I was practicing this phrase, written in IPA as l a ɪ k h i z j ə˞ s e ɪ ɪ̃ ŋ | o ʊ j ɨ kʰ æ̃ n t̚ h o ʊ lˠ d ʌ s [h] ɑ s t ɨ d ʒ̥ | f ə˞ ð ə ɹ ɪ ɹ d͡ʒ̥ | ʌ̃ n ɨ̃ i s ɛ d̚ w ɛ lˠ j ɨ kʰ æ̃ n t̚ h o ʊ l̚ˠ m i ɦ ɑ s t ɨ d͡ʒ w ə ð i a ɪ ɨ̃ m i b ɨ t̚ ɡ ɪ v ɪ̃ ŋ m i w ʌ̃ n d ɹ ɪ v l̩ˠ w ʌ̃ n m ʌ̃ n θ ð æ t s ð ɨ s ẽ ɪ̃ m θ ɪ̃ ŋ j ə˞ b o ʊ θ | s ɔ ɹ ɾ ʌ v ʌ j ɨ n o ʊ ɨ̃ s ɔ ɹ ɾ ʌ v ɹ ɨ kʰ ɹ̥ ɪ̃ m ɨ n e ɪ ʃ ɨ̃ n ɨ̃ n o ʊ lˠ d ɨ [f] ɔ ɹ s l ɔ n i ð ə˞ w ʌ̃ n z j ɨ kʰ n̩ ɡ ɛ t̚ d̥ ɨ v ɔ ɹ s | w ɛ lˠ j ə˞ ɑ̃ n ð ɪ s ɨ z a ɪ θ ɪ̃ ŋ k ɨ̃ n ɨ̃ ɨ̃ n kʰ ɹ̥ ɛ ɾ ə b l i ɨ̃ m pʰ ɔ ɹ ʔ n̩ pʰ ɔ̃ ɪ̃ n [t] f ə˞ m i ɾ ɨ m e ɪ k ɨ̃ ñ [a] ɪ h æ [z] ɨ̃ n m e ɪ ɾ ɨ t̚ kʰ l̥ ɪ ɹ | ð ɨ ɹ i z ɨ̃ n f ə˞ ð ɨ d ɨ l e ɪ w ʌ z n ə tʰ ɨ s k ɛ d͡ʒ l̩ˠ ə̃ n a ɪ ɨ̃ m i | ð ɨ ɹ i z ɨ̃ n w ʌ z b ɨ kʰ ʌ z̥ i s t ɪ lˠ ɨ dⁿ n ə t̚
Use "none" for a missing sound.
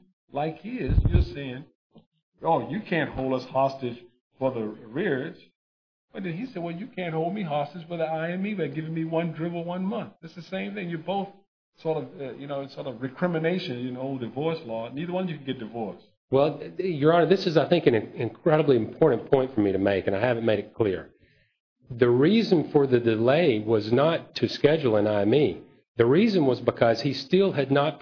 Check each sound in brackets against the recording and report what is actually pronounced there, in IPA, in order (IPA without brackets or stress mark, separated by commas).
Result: h, v, t, a, v